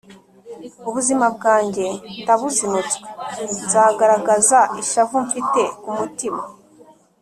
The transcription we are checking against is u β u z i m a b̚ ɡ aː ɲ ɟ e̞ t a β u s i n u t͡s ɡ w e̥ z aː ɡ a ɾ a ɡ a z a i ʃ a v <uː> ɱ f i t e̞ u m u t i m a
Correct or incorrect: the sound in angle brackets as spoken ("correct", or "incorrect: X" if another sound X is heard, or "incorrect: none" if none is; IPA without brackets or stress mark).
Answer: incorrect: u